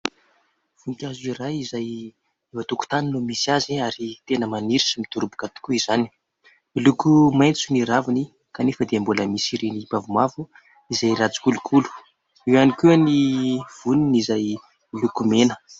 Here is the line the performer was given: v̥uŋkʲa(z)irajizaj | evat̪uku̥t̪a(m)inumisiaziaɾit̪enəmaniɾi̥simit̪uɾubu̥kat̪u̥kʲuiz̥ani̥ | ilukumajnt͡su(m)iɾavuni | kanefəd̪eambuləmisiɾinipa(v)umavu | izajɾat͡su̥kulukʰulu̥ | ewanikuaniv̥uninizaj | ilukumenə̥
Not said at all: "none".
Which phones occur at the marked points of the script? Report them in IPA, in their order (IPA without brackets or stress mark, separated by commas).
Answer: z, n, n, v